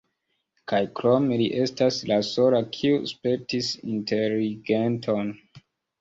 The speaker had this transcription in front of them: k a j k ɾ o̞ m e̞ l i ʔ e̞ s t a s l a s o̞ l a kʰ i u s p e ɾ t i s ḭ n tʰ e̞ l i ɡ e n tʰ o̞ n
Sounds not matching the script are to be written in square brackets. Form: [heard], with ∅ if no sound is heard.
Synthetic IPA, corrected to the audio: k a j k ɾ o̞ m e̞ l i ʔ e̞ s t a s l a s o̞ l a kʰ i u s p e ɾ t i s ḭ n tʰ e̞ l i ɡ e n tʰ o̞ n